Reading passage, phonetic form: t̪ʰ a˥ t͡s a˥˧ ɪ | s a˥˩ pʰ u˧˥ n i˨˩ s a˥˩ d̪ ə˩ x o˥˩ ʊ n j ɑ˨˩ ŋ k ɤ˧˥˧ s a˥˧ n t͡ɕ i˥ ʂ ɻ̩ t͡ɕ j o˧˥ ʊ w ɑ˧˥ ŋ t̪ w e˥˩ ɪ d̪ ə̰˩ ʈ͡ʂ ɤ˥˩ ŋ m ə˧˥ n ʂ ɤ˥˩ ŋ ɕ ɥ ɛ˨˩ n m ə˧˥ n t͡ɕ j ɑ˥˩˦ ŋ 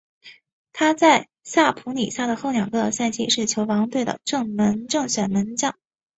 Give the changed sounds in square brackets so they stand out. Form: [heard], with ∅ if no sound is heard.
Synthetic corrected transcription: t̪ʰ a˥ t͡s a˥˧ ɪ | s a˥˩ pʰ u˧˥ n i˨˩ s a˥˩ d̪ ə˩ x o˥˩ ʊ n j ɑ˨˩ ŋ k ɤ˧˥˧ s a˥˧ n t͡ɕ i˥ ʂ ɻ̩ [t͡ɕʰ] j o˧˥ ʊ w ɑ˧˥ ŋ t̪ w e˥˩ ɪ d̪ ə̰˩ ʈ͡ʂ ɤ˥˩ ŋ m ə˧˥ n [ʈ͡ʂ] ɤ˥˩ ŋ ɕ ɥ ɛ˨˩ n m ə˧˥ n t͡ɕ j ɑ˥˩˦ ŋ